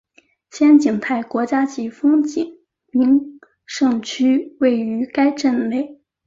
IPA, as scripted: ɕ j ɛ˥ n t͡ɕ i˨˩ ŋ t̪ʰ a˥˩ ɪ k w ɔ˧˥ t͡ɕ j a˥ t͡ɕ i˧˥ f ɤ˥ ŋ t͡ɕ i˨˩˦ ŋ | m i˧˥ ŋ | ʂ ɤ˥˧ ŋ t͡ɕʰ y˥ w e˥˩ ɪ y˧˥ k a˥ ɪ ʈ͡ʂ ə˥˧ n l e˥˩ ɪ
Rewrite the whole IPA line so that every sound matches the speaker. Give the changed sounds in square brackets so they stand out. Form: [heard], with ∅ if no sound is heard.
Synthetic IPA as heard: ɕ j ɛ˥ n t͡ɕ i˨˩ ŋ t̪ʰ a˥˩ ɪ k w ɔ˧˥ t͡ɕ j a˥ t͡ɕ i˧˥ f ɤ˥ ŋ t͡ɕ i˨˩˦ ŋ | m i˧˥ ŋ | ʂ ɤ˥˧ ŋ t͡ɕʰ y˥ w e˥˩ ɪ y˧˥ k a˥ ɪ ʈ͡ʂ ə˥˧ n l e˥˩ ɪ